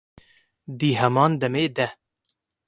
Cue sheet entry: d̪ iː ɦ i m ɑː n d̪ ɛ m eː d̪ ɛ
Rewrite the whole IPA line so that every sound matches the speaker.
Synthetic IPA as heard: d̪ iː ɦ ɛ m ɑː n d̪ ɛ m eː d̪ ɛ